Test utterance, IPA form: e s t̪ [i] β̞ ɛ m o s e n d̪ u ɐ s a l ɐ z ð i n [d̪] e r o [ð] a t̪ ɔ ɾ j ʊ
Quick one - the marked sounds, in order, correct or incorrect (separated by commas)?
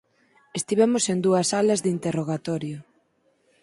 correct, incorrect, incorrect